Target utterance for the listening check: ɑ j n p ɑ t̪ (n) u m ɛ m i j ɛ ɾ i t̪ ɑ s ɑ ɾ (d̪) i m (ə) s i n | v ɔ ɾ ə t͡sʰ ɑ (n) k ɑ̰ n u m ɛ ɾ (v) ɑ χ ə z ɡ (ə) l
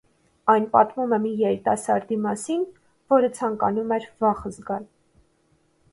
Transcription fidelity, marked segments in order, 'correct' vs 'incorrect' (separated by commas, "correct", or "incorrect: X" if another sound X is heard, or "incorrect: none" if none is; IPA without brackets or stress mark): incorrect: m, correct, incorrect: ɑ, incorrect: ŋ, correct, incorrect: ɑ